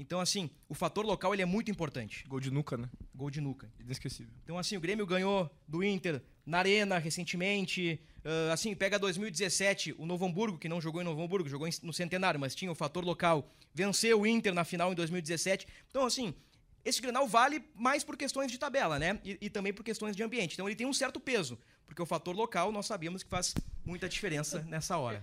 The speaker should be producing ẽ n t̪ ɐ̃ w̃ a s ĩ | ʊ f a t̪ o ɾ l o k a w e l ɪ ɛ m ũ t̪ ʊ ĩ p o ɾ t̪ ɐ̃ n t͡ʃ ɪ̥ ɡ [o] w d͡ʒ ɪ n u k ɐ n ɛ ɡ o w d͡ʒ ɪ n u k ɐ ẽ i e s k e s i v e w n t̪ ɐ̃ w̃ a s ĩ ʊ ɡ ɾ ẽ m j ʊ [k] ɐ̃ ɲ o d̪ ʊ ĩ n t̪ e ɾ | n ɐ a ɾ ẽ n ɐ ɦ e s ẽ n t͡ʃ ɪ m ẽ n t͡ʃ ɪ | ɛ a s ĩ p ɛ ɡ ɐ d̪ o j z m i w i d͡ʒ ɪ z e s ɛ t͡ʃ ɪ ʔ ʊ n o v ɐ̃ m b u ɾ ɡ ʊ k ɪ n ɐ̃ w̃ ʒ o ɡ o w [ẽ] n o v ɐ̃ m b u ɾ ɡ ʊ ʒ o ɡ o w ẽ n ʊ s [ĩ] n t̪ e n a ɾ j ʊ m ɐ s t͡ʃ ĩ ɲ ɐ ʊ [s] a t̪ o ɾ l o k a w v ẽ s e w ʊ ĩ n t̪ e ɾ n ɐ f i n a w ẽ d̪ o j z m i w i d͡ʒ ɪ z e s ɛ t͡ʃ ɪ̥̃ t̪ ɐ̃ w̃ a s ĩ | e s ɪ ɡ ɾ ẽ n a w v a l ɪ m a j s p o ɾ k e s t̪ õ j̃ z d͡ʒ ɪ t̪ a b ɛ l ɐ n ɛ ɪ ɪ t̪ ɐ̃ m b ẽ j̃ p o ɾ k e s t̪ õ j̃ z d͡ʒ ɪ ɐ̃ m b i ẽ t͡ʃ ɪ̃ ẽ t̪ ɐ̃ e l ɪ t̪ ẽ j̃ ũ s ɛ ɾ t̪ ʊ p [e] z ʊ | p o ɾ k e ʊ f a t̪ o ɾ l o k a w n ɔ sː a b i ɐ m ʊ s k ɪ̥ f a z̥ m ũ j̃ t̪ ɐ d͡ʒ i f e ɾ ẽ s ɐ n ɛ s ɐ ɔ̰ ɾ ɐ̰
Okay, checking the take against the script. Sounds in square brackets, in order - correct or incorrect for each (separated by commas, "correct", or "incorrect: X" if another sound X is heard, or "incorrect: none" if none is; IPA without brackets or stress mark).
correct, incorrect: ɡ, correct, incorrect: ẽ, incorrect: f, correct